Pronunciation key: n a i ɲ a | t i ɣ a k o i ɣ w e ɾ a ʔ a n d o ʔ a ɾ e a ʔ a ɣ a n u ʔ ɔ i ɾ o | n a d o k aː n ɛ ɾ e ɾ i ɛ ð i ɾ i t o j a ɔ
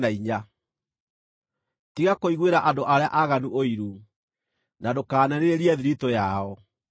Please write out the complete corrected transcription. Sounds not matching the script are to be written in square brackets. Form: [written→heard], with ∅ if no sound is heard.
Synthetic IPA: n a i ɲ a | t i ɣ a k o i ɣ w e ɾ a ʔ a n d o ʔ a ɾ e a ʔ a ɣ a n u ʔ [ɔ→o] i ɾ [o→u] | n a d o k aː n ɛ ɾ e ɾ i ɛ ð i ɾ i t o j a ɔ